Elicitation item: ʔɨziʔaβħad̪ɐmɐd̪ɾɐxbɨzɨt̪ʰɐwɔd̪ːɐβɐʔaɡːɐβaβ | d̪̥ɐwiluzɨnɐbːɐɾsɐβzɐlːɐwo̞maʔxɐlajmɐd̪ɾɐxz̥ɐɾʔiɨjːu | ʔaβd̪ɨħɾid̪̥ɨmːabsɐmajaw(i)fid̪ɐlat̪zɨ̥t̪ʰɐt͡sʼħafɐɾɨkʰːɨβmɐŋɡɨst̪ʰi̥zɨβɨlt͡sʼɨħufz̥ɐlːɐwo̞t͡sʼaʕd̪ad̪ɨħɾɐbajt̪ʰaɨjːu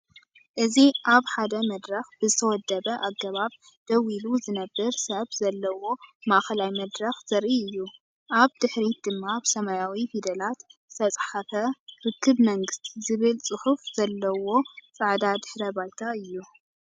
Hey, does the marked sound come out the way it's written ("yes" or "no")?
yes